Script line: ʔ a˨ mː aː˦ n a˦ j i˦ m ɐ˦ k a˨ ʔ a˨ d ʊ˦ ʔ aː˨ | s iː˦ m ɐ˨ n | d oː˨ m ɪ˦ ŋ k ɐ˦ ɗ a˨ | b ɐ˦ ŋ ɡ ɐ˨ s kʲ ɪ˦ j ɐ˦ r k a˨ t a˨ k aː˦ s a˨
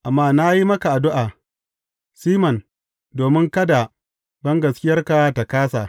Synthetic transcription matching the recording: ʔ a˨ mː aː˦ n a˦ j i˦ m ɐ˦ k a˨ ʔ a˨ d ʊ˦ ʔ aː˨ | s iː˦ m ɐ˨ n | d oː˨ m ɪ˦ ŋ k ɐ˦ d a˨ | b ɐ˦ ŋ ɡ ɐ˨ s kʲ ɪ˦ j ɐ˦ r k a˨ t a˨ k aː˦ s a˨